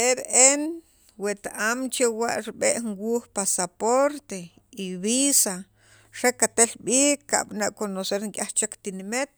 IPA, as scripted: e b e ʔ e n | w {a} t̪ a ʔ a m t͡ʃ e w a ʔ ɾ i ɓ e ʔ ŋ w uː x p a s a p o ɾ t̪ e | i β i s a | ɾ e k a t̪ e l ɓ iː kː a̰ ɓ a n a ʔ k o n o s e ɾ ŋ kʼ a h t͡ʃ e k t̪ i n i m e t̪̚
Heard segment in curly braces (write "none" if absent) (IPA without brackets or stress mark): e